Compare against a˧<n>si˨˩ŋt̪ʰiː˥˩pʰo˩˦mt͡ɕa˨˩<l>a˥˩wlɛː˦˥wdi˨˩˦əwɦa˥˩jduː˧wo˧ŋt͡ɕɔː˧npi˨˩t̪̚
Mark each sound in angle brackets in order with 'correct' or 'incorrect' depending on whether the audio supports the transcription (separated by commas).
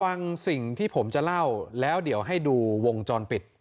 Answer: incorrect, correct